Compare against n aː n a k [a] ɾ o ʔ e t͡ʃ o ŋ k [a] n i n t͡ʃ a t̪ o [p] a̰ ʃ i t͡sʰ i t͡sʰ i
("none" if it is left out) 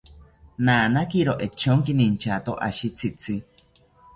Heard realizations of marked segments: i, i, ʔ

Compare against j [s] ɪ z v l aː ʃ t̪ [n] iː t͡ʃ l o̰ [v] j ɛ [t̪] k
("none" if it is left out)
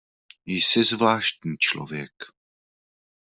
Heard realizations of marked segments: s, ɲ, v, none

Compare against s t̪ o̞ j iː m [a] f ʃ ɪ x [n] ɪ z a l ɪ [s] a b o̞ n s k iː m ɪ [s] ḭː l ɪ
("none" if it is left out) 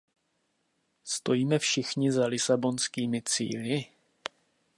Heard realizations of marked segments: ɛ, ɲ, s, t͡s

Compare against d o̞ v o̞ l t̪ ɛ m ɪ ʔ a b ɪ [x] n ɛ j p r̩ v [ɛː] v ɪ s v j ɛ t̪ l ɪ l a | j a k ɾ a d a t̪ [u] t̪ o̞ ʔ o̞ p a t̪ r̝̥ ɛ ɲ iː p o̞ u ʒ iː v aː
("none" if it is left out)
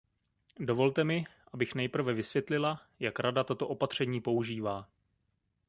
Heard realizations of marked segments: x, ɛ, o

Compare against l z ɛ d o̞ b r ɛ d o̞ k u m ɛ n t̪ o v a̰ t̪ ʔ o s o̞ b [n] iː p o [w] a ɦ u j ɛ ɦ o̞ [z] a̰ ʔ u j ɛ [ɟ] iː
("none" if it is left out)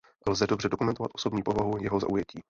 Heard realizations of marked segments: ɲ, v, z, c

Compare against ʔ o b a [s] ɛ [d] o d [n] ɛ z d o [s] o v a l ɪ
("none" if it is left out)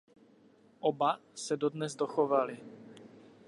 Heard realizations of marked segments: s, d, n, x

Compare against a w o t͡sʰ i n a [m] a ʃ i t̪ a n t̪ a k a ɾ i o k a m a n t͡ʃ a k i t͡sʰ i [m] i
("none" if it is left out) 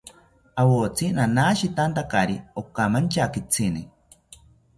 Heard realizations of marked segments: n, n

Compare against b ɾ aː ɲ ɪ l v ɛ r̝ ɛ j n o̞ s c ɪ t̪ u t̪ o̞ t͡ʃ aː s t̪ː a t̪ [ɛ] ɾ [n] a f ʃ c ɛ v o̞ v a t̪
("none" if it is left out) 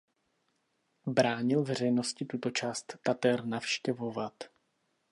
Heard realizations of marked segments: ɛ, n

